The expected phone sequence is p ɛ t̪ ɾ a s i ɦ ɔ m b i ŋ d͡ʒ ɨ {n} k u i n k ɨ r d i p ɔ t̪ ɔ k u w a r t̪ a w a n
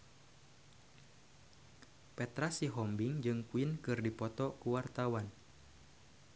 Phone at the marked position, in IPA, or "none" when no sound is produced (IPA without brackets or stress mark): ŋ